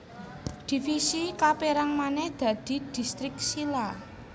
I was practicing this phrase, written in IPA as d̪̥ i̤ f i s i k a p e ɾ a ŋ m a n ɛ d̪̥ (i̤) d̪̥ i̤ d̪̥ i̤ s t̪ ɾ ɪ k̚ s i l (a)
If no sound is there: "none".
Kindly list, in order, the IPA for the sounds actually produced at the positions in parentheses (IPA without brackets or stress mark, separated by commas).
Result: a̤, a